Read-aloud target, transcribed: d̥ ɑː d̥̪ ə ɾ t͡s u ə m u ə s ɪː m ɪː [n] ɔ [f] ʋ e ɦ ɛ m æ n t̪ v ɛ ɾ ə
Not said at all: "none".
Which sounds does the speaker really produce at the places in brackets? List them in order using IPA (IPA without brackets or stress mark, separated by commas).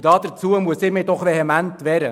d, χ